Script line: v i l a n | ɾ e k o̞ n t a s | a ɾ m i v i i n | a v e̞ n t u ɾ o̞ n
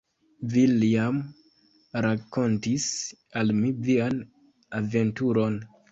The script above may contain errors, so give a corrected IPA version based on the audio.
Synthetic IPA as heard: v i l a m | ɾ a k o̞ n t i s | a l m i v i a n | a v e̞ n t u ɾ o̞ n